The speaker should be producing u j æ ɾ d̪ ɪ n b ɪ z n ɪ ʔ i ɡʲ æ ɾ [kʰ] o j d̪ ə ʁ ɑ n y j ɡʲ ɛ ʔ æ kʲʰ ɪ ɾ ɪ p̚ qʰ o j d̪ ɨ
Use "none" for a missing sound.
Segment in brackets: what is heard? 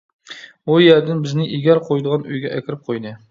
qʰ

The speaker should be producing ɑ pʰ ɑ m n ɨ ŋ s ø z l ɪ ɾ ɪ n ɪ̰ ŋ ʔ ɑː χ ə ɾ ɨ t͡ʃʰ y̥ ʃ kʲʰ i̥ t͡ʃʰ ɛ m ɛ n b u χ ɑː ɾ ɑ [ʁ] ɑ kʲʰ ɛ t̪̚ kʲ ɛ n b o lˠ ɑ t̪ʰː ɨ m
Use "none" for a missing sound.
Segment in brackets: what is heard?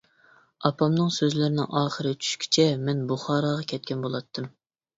ʁ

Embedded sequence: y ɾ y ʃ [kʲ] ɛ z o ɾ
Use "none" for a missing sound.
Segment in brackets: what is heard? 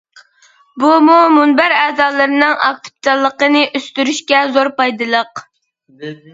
kʲ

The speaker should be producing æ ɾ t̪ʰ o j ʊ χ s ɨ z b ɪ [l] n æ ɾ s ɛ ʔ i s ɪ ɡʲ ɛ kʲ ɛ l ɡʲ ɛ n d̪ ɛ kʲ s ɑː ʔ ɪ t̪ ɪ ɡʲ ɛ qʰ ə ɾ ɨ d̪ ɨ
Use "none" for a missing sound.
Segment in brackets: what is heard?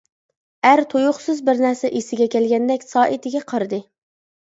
ɾ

